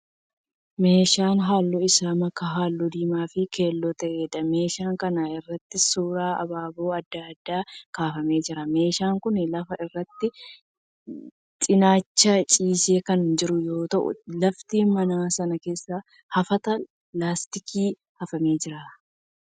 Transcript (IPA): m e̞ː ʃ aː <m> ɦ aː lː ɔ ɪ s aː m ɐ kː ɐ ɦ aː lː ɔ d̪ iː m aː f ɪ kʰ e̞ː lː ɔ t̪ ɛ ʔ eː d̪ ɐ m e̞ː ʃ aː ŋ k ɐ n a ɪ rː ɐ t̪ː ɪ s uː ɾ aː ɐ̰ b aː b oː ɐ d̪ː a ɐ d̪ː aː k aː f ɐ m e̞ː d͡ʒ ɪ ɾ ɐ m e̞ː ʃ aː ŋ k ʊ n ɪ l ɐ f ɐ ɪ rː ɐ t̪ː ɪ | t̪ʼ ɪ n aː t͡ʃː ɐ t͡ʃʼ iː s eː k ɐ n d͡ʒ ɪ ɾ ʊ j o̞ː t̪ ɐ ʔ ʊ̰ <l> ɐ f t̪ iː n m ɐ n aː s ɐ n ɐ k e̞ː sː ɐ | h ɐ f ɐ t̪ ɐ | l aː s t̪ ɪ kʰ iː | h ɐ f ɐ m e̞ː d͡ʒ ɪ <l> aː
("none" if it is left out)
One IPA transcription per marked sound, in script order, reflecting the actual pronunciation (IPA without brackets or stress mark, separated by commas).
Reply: n, l, ɾ